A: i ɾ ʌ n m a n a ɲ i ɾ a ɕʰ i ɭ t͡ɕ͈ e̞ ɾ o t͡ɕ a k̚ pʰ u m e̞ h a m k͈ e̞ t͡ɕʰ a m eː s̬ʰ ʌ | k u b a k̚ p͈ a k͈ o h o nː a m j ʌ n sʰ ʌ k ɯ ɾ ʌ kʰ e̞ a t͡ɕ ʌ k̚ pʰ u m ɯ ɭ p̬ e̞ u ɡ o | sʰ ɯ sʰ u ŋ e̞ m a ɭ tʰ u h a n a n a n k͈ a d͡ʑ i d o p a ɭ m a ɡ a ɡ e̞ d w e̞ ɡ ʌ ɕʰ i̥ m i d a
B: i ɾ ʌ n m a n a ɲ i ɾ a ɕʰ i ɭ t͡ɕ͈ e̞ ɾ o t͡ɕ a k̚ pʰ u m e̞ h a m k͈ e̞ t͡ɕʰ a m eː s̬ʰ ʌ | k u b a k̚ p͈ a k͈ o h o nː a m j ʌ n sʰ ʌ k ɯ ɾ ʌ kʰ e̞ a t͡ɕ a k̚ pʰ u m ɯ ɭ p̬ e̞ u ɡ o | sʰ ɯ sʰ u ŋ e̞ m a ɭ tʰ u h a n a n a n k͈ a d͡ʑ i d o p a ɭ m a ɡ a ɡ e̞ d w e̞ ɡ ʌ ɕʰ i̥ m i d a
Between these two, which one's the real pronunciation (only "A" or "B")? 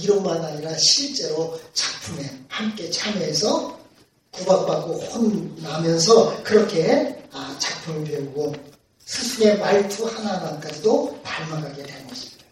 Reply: B